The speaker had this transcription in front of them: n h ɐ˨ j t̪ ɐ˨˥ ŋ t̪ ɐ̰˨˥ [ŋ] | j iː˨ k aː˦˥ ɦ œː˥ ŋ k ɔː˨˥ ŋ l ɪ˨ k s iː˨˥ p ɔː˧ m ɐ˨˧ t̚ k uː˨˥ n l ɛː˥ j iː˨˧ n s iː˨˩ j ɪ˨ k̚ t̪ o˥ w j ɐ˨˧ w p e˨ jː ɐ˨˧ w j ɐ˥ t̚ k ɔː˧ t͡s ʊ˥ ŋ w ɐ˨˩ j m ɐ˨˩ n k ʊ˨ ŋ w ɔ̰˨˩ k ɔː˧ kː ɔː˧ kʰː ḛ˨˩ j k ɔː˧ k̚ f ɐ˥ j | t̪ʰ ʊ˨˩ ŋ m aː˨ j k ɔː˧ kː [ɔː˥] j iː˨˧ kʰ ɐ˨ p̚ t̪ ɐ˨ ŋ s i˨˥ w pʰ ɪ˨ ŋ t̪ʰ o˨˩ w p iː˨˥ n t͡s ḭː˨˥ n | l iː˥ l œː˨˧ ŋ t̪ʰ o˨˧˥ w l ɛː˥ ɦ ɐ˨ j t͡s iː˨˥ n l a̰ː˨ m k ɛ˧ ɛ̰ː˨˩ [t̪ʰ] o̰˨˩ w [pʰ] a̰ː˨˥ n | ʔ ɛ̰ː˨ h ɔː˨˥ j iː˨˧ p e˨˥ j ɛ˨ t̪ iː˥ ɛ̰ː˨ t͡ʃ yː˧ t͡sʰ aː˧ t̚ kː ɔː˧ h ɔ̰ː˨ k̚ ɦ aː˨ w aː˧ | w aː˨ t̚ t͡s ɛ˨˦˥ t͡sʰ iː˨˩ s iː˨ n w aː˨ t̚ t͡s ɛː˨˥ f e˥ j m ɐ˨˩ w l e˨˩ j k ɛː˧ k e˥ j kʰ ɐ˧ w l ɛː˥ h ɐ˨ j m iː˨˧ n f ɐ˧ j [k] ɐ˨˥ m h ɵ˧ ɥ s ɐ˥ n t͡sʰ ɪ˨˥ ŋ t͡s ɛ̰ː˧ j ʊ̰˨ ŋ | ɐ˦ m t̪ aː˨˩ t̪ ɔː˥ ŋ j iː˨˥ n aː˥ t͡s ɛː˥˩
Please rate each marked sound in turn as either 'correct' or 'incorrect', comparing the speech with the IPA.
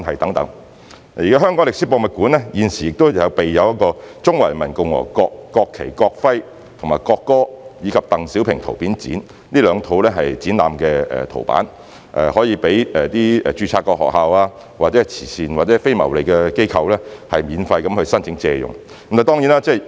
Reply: correct, correct, correct, incorrect, correct

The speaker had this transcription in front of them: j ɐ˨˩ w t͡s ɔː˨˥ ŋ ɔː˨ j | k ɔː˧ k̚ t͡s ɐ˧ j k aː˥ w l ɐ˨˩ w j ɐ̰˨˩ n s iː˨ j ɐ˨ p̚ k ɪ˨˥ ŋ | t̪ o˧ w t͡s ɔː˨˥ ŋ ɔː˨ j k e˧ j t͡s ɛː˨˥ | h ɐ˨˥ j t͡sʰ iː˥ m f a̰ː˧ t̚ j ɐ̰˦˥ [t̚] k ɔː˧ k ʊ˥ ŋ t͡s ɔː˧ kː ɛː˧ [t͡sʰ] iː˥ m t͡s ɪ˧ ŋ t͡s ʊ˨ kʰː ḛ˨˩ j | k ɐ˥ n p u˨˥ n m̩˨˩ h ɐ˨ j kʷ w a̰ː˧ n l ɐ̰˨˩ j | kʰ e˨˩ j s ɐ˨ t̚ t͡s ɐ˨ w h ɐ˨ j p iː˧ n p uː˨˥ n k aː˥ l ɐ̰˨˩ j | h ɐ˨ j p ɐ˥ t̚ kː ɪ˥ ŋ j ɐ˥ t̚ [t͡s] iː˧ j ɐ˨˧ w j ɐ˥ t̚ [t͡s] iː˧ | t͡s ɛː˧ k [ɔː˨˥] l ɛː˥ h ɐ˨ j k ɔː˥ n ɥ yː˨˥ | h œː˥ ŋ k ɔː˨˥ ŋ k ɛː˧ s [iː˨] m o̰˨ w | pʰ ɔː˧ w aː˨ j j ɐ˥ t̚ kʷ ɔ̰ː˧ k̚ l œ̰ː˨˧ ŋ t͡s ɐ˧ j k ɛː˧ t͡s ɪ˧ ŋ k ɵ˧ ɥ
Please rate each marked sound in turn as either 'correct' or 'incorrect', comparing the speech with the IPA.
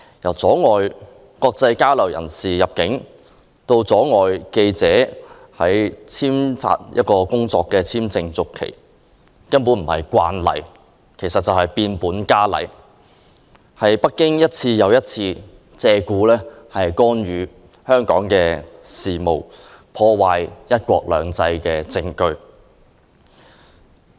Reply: correct, correct, incorrect, incorrect, incorrect, correct

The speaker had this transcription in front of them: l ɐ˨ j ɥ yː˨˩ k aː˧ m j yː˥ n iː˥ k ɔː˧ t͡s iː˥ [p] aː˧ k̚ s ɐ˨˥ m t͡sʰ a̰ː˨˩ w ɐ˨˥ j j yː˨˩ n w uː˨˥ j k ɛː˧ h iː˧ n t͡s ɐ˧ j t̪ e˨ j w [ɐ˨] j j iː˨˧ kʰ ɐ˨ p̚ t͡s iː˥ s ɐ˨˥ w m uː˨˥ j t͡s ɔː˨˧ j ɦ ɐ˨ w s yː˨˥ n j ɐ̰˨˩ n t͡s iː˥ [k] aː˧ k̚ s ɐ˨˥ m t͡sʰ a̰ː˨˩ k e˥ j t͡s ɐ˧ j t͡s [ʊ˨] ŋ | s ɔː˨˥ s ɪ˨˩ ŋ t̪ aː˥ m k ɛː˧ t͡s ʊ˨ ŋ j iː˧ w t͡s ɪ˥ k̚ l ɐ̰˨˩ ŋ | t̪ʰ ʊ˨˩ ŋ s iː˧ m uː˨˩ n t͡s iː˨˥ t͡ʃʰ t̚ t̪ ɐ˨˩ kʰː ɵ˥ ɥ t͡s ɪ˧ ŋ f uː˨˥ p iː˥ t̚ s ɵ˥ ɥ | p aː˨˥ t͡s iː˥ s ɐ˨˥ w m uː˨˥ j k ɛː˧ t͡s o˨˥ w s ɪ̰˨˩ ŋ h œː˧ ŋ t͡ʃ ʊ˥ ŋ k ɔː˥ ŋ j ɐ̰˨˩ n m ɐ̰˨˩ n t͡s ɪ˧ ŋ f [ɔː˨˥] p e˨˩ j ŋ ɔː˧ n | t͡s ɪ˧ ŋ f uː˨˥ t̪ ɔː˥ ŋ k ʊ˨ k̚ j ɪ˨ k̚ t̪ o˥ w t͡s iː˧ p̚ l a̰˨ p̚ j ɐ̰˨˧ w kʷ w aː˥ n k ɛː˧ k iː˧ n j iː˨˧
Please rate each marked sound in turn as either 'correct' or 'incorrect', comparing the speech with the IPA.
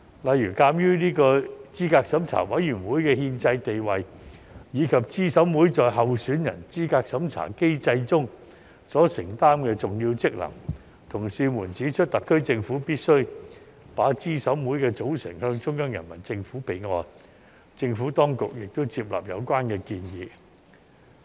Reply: incorrect, correct, correct, incorrect, incorrect

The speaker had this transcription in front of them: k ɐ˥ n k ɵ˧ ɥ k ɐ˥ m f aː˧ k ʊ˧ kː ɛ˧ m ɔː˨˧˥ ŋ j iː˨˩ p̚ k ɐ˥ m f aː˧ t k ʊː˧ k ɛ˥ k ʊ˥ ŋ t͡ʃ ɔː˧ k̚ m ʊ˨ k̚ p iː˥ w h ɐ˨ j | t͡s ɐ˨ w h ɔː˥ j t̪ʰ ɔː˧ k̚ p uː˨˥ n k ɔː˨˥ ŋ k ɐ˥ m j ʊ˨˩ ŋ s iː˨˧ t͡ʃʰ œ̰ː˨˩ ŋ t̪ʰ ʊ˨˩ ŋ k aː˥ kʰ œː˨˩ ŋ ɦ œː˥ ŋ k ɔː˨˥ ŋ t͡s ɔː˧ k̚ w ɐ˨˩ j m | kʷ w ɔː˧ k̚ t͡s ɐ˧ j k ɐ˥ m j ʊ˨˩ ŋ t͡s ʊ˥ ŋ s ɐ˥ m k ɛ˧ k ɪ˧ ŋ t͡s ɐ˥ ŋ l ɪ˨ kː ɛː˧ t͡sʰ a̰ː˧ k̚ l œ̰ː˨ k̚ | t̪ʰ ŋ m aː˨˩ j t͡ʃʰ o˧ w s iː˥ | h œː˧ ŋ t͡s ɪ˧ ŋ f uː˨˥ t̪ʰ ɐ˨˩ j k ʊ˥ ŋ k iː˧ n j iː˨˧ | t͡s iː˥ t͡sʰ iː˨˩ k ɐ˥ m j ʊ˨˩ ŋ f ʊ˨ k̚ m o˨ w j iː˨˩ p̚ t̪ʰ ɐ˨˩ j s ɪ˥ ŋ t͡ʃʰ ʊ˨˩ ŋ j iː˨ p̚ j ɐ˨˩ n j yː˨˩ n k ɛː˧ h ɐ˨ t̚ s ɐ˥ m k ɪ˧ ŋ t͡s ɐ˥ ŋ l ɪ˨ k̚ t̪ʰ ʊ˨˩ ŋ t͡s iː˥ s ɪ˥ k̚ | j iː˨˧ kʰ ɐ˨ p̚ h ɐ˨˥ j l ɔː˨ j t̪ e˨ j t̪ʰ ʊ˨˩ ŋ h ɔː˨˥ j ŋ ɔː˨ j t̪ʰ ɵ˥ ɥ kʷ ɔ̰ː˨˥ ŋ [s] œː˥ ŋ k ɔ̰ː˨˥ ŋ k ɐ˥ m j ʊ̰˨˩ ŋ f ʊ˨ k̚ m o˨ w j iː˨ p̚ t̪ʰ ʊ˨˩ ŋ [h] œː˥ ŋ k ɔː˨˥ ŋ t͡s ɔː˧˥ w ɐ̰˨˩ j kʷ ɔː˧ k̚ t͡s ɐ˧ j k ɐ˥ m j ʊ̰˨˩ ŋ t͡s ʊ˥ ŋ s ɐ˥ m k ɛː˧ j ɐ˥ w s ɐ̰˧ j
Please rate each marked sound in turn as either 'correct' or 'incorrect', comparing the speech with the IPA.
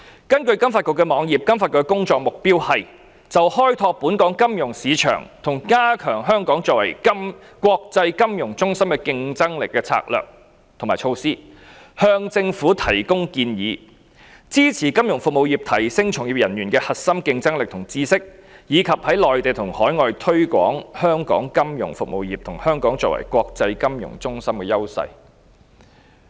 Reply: incorrect, correct

